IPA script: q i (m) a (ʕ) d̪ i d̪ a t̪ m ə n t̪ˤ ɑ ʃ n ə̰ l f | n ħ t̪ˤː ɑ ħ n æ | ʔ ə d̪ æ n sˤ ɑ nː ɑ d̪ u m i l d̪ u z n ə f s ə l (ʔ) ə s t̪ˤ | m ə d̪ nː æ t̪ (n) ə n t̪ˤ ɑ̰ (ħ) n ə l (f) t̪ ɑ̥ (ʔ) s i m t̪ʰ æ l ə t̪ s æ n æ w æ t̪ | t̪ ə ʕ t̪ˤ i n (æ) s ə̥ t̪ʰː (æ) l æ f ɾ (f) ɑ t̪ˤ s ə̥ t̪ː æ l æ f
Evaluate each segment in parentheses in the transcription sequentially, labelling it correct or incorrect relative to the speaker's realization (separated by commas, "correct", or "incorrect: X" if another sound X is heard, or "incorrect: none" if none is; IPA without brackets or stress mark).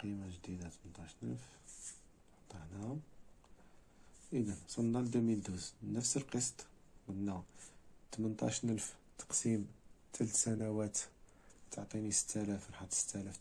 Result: correct, incorrect: ʒ, incorrect: q, incorrect: m, incorrect: ʃ, correct, incorrect: q, incorrect: i, correct, incorrect: ħ